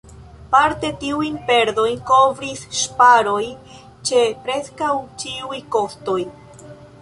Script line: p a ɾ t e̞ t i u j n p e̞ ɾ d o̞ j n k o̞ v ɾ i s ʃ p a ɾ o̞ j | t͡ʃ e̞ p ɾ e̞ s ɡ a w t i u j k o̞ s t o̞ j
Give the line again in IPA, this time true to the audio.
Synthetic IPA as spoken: p a ɾ t e̞ t i u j n p e̞ ɾ d o̞ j n k o̞ v ɾ i s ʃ p a ɾ o̞ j | t͡ʃ e̞ p ɾ e̞ s k a w t͡ʃ i u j k o̞ s t o̞ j